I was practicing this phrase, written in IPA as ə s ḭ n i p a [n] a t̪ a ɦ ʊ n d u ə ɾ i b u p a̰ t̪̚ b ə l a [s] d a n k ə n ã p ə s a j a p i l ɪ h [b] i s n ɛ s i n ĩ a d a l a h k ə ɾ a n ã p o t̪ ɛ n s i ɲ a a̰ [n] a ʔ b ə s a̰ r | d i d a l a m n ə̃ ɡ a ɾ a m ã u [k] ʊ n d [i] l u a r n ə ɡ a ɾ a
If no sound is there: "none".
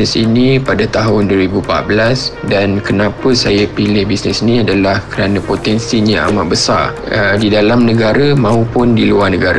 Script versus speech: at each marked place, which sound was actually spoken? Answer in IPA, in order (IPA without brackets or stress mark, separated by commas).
d, s, b, m, p, i